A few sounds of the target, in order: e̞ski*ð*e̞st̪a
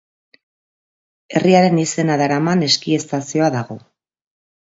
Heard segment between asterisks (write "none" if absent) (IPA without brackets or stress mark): none